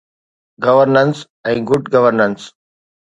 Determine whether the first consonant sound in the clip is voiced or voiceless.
voiced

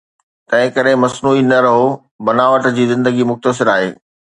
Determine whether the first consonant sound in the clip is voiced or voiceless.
voiceless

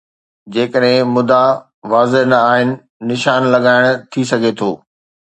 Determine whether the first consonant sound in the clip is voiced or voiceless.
voiced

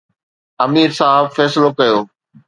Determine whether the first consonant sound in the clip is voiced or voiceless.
voiced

